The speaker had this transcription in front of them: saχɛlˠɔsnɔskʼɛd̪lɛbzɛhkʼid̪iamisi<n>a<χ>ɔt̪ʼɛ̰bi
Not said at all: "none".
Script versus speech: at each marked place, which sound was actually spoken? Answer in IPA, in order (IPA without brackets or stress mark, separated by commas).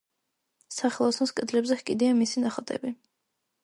n, χ